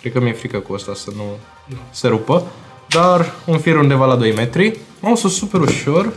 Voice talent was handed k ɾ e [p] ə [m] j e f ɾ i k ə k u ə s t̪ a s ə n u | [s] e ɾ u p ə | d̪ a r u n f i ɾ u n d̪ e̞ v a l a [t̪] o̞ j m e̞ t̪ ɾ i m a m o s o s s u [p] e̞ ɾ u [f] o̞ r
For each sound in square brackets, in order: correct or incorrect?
incorrect: k, correct, correct, incorrect: d̪, correct, incorrect: ʃ

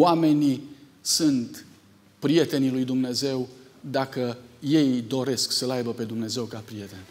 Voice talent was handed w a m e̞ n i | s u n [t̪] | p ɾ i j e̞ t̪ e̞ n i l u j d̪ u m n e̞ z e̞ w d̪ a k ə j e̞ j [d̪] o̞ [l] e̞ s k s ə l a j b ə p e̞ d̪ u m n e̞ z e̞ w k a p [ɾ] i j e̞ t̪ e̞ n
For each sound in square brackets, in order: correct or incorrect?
correct, correct, incorrect: ɾ, correct

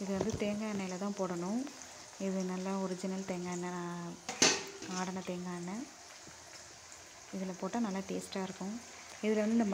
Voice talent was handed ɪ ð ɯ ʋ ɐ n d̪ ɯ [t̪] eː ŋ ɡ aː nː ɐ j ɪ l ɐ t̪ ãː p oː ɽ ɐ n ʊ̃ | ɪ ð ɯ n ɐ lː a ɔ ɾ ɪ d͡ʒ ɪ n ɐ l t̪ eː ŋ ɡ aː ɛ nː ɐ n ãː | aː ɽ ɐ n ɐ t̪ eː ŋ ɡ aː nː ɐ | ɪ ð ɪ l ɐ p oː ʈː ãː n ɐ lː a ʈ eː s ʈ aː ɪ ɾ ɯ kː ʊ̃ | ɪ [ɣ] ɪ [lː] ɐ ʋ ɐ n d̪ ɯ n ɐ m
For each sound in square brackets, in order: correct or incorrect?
correct, incorrect: ð, incorrect: l

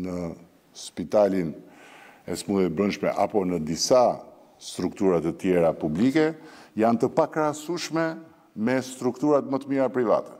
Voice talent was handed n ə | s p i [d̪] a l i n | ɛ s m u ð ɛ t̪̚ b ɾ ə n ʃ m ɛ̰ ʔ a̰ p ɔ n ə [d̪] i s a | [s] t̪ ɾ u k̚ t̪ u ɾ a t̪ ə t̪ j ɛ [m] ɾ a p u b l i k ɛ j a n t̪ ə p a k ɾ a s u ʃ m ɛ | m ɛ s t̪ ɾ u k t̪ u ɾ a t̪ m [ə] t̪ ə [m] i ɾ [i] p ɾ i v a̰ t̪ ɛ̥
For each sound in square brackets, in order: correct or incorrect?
incorrect: t̪, correct, correct, incorrect: none, correct, correct, incorrect: a

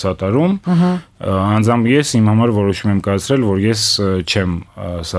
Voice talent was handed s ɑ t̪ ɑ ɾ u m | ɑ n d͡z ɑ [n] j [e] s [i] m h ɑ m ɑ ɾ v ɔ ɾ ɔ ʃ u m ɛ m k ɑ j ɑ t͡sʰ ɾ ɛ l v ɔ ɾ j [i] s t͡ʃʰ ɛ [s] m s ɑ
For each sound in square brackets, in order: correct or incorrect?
incorrect: m, incorrect: ɛ, correct, incorrect: ɛ, incorrect: none

